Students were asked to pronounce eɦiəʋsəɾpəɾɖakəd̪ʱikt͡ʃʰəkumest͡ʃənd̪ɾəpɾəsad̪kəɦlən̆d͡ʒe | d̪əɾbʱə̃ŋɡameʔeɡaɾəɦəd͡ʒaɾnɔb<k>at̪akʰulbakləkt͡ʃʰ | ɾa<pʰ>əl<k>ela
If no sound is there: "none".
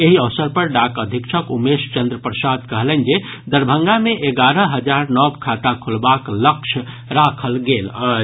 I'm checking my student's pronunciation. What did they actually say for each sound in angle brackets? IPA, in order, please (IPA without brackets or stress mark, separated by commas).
kʰ, kʰ, ɡ